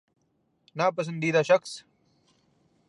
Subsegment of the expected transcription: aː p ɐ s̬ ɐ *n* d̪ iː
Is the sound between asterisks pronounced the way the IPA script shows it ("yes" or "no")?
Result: yes